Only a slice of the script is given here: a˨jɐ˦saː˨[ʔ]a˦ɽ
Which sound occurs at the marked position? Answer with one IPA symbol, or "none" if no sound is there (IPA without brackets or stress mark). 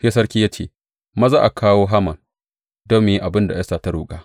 t